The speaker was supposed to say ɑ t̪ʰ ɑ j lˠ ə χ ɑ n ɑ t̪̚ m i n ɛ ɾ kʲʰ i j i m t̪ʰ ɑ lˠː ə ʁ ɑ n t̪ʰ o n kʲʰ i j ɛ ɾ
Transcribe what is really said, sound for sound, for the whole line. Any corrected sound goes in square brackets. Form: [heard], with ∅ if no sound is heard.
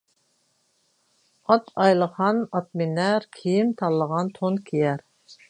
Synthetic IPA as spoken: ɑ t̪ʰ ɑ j lˠ ə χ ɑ n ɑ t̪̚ m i n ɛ ɾ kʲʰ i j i m t̪ʰ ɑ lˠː ə ʁ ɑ n t̪ʰ o n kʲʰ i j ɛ ɾ